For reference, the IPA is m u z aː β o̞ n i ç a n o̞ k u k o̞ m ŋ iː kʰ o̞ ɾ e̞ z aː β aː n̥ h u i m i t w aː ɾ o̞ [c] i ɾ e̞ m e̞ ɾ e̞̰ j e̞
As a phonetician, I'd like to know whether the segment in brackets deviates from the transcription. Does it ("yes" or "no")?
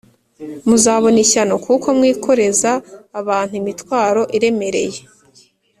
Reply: yes